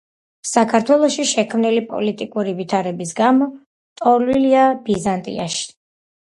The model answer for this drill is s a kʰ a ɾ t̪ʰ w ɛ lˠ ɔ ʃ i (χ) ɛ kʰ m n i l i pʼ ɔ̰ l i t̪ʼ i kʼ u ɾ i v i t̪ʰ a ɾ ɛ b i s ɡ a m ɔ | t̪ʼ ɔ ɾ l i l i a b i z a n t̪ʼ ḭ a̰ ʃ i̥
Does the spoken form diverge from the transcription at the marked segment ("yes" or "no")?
yes